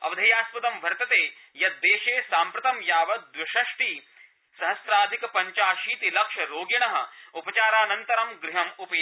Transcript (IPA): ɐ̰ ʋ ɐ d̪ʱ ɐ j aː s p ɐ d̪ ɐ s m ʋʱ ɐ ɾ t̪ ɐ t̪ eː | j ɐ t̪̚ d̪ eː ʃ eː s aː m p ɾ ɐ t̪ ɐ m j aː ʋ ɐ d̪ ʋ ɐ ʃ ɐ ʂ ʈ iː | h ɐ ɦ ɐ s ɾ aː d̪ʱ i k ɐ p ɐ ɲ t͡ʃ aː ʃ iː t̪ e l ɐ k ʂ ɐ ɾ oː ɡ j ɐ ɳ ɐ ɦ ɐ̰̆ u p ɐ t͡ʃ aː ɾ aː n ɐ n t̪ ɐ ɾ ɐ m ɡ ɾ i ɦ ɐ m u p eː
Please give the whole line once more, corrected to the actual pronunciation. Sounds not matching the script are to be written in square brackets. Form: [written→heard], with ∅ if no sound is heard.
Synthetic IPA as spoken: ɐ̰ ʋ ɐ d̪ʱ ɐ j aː s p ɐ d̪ ɐ [s→∅] m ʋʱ ɐ ɾ t̪ ɐ t̪ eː | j ɐ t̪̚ d̪ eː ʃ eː s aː m p ɾ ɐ t̪ ɐ m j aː ʋ ɐ d̪ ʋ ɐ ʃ ɐ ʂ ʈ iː | [h→s] ɐ ɦ ɐ s ɾ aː d̪ʱ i k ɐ p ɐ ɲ t͡ʃ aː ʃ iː t̪ [e→i] l ɐ k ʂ ɐ ɾ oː ɡ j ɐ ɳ ɐ ɦ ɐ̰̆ u p ɐ t͡ʃ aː ɾ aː n ɐ n t̪ ɐ ɾ ɐ m ɡ ɾ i ɦ ɐ m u p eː